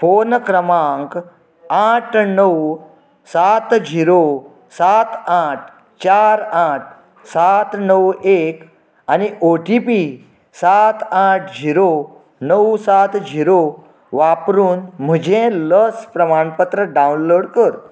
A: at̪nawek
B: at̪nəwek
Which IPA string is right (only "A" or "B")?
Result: B